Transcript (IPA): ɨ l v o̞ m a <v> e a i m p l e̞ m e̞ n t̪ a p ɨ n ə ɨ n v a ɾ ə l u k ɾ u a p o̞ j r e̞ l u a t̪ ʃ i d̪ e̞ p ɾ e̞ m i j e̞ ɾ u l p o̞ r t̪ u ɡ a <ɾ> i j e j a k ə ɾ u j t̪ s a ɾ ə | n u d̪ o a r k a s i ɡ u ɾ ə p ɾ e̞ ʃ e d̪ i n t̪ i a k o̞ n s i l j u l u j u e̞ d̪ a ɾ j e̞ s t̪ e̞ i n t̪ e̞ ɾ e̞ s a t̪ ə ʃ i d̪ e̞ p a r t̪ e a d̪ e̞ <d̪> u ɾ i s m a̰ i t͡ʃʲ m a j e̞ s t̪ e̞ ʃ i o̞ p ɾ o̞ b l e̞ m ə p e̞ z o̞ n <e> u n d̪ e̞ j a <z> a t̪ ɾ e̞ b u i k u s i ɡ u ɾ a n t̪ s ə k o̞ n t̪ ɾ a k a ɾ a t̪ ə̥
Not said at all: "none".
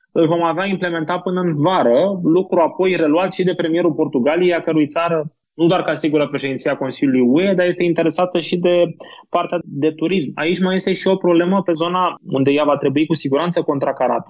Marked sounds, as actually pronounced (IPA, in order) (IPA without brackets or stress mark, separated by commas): v, l, t̪, a, v